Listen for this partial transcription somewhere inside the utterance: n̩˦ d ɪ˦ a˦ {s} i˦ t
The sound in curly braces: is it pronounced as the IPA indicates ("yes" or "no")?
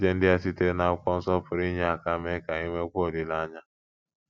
yes